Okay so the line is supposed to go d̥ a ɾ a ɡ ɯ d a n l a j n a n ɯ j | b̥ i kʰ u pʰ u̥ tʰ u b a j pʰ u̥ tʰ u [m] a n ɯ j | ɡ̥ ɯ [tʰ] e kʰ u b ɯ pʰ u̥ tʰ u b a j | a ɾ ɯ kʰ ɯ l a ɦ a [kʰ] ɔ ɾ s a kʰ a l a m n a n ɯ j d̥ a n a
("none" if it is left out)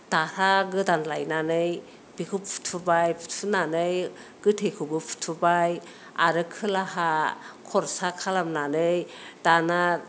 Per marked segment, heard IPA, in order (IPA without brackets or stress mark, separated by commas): n, tʰ, kʰ